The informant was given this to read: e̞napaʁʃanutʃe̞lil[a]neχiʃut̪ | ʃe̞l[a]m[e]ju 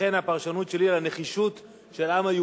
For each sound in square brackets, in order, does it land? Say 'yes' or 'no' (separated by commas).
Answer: yes, yes, no